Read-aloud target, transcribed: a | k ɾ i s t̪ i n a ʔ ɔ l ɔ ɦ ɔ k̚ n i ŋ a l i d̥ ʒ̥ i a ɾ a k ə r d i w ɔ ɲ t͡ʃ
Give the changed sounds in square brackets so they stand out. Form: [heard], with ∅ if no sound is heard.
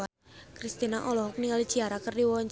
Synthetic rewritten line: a | k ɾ i s t̪ i n a ʔ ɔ l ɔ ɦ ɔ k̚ n i ŋ a l i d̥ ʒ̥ i a ɾ a k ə r d i w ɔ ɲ t͡ʃ